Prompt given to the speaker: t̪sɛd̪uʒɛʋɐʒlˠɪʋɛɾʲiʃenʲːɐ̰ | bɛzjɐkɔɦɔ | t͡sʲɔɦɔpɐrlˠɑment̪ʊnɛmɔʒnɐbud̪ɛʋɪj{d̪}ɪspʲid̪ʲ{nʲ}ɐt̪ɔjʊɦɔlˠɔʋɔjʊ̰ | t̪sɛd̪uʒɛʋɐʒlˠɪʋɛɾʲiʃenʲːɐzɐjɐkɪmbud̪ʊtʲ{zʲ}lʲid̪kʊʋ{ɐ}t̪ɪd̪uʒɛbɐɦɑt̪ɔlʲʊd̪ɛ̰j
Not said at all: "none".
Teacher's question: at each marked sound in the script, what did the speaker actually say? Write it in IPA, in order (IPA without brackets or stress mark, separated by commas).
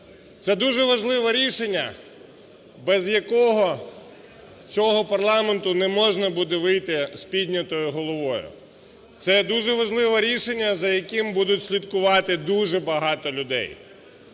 t̪, nʲ, sʲ, ɑ